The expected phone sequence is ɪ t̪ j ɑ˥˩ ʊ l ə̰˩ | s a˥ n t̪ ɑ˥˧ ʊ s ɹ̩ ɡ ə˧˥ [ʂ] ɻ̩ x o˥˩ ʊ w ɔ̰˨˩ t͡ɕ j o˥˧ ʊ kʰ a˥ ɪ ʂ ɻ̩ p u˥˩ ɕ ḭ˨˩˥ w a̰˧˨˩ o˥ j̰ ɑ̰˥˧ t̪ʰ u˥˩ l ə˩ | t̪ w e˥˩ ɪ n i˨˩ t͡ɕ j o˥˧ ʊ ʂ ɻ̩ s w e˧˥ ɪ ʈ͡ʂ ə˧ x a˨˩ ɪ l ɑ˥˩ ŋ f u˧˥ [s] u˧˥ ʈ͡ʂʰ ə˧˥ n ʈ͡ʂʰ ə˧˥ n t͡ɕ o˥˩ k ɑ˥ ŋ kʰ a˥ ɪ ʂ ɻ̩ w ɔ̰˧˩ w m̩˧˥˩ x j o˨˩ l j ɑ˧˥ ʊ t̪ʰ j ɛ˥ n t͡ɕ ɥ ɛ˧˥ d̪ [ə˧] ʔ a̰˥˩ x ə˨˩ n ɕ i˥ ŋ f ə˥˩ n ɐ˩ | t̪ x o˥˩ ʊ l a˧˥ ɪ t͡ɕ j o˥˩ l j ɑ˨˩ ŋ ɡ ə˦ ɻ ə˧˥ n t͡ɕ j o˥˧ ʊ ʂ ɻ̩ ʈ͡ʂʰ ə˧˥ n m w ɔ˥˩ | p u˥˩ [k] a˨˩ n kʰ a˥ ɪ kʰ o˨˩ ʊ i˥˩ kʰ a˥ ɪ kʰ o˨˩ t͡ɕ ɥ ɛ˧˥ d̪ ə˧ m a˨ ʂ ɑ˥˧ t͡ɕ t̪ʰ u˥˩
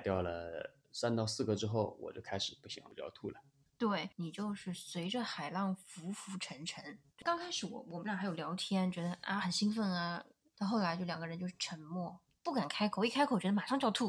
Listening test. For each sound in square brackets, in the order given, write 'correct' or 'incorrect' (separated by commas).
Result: incorrect, incorrect, correct, correct